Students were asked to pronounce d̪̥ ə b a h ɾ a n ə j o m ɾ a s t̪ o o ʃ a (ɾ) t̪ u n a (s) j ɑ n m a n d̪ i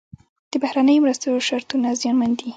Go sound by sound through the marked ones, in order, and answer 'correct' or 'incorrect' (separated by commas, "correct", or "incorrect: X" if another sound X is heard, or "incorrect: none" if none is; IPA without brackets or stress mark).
correct, incorrect: z